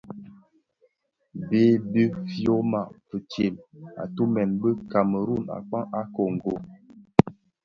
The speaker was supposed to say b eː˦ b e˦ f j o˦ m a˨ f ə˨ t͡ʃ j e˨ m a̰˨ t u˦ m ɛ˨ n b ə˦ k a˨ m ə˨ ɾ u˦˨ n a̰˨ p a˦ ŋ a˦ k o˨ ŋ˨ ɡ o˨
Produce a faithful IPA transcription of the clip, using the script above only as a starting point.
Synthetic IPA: b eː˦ b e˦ f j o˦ m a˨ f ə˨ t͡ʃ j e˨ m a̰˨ t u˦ m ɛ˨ n b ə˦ k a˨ m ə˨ ɾ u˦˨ n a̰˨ k͡p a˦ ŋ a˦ k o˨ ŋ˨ ɡ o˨